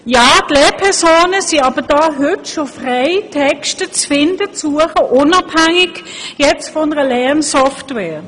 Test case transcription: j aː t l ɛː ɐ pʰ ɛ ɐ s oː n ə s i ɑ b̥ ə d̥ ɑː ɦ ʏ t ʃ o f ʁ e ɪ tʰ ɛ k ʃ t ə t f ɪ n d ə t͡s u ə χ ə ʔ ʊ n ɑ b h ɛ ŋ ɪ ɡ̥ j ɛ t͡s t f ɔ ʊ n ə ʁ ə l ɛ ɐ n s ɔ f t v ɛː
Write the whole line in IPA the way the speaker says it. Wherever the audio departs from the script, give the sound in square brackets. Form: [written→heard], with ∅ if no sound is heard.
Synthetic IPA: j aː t l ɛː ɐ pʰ ɛ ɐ s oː n ə s i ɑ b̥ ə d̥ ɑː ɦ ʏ t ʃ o f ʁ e ɪ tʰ ɛ k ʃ t ə [t→t͡s] f ɪ n d ə t͡s u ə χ ə ʔ ʊ n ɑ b h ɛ ŋ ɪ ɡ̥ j ɛ t͡s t f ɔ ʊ n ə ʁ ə l ɛ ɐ n s ɔ f t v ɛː